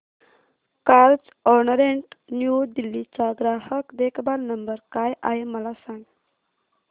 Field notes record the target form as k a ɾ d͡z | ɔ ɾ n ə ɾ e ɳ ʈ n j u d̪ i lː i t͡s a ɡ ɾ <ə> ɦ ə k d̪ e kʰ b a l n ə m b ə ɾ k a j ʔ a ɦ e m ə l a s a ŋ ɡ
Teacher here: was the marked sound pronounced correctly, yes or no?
no